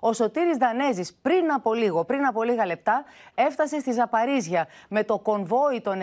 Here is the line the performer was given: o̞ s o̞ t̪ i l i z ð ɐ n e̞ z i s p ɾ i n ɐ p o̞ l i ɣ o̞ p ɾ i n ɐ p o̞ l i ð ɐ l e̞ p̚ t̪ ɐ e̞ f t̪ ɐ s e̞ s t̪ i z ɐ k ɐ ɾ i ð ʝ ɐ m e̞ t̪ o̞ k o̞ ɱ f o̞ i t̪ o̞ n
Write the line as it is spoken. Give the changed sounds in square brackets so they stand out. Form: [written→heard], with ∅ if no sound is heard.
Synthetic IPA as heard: o̞ s o̞ t̪ i [l→ɾ] i z ð ɐ n e̞ z i s p ɾ i n ɐ p o̞ l i ɣ o̞ p ɾ i n ɐ p o̞ l i [ð→ɣ] ɐ l e̞ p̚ t̪ ɐ e̞ f t̪ ɐ s e̞ s t̪ i z ɐ [k→p] ɐ ɾ i [ð→z] ʝ ɐ m e̞ t̪ o̞ k o̞ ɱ [f→v] o̞ i t̪ o̞ n